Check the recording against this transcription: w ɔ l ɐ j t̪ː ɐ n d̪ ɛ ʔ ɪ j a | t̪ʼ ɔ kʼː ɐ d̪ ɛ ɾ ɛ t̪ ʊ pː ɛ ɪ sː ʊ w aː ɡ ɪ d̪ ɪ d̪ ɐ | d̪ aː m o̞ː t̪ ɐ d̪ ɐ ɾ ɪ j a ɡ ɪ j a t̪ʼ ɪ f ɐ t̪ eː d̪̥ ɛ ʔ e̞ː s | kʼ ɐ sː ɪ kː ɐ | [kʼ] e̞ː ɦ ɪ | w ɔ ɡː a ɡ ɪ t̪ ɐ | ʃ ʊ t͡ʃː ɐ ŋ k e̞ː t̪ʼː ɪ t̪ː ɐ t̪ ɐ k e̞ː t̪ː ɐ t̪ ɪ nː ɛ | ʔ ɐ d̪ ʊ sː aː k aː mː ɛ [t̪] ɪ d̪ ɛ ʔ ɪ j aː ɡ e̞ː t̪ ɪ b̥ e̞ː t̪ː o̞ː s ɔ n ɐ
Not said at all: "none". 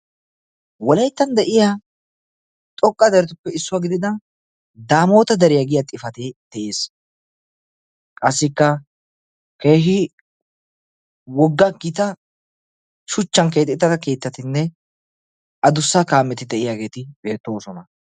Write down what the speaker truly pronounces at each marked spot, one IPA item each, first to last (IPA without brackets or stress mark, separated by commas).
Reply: k, t̪